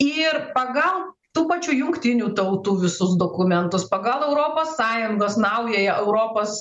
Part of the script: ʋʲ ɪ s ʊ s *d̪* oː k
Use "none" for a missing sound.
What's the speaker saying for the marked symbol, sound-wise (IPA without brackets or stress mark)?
d̪